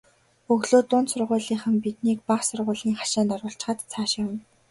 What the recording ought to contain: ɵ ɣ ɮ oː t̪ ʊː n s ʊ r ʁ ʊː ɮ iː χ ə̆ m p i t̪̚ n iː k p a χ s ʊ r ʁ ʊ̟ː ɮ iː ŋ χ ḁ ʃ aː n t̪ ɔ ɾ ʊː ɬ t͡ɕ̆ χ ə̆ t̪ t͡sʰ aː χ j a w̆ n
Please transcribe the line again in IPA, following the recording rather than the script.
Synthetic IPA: ɵ ɣ ɮ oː t̪ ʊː n s ʊ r ʁ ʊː ɮ iː χ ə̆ m p i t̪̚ n iː k p a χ s ʊ r ʁ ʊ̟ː ɮ iː ŋ χ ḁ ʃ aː n t̪ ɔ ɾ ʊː ɬ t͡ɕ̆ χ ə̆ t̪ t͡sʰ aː ʃ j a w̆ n